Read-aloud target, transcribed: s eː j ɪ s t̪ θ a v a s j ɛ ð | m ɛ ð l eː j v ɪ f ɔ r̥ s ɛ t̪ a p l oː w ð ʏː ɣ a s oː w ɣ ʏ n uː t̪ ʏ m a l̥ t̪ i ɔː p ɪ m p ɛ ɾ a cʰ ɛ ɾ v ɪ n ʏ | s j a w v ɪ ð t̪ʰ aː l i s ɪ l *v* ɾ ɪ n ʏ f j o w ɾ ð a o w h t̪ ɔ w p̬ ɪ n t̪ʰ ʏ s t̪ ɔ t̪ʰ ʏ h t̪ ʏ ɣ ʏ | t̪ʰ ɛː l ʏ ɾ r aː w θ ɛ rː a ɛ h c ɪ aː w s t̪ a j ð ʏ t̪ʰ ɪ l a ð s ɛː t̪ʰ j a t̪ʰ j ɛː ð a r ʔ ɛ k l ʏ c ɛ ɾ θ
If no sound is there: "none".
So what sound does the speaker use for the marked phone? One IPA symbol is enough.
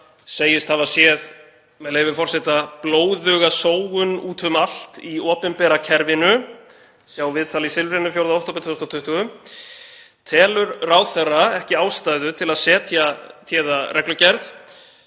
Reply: v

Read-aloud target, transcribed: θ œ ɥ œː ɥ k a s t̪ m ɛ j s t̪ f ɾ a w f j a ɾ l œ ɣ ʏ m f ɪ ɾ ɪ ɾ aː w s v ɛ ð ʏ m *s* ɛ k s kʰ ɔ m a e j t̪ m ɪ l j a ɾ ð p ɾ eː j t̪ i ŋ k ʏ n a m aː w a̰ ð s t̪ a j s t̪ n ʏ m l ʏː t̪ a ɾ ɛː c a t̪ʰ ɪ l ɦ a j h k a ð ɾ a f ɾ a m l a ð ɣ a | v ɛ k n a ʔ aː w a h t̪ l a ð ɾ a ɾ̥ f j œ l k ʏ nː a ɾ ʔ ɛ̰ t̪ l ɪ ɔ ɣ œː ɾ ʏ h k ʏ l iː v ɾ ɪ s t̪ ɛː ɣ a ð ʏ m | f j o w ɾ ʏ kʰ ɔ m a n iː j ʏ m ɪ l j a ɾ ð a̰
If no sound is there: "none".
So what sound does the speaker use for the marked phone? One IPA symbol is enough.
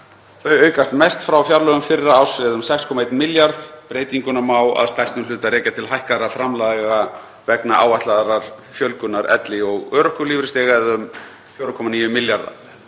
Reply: s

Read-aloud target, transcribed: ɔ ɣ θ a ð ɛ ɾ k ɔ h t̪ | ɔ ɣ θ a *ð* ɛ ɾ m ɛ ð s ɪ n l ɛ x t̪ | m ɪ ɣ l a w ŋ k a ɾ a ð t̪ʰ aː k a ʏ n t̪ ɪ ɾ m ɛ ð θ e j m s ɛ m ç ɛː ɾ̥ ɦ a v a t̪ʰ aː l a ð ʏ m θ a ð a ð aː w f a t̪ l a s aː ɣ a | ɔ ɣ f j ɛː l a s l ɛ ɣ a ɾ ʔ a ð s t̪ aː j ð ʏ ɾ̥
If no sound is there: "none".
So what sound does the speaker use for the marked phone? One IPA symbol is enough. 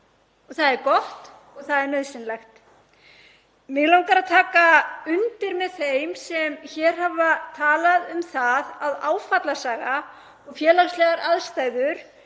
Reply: ð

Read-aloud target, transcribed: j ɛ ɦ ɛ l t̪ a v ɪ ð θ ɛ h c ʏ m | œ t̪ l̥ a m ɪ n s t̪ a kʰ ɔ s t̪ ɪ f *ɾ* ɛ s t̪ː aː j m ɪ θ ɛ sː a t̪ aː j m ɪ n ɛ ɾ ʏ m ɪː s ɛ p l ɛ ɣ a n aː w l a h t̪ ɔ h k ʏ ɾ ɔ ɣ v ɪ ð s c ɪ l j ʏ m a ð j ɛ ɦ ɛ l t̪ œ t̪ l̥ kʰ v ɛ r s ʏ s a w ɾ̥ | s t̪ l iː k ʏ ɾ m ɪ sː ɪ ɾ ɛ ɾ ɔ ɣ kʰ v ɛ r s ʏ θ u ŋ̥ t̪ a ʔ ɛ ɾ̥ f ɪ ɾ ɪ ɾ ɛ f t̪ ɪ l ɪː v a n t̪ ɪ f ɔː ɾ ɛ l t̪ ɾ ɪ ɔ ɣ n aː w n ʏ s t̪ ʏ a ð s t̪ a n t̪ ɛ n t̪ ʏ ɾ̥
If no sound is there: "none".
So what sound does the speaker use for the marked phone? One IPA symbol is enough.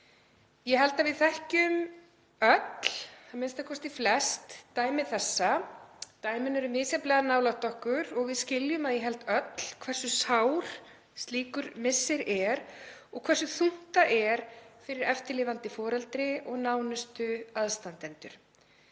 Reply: l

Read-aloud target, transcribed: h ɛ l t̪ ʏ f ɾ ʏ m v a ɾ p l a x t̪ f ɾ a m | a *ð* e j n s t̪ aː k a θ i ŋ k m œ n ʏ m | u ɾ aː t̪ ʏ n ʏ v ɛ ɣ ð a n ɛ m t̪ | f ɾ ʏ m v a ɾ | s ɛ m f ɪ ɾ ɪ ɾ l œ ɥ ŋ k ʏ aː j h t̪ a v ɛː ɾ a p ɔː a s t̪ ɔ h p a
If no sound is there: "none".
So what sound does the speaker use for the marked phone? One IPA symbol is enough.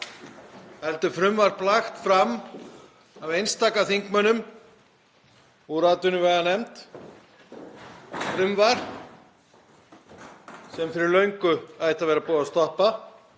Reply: v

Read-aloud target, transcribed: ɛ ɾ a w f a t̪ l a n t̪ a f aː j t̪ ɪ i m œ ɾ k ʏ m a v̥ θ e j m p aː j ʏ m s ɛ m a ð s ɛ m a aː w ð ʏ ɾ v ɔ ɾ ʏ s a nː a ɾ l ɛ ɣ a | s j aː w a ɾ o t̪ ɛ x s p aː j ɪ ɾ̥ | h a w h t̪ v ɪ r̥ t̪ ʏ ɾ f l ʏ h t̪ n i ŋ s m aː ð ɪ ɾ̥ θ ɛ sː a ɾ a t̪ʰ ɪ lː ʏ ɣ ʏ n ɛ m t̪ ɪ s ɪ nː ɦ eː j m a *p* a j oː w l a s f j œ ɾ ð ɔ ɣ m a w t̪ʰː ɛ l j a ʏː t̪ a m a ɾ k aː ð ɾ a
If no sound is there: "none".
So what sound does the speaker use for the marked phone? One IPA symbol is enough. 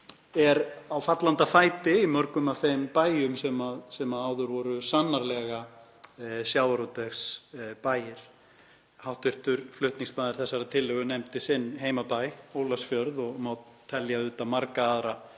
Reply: p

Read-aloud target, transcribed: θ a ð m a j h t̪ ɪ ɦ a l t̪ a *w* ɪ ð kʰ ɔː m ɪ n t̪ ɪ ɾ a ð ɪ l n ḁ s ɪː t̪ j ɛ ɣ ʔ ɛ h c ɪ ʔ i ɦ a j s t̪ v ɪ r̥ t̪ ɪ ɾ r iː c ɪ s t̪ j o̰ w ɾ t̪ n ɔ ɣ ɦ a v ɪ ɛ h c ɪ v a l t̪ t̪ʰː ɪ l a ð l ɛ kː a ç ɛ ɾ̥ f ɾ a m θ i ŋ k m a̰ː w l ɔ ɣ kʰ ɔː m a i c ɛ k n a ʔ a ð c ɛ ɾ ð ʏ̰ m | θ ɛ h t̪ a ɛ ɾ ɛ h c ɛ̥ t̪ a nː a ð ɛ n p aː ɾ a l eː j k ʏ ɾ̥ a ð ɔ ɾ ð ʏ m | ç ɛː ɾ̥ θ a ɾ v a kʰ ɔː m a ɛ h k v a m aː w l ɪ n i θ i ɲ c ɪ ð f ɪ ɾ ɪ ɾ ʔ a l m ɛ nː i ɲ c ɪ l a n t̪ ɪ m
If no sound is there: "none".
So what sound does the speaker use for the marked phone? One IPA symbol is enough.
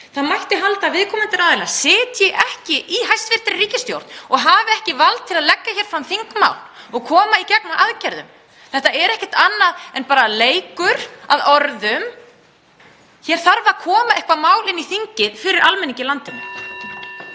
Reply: v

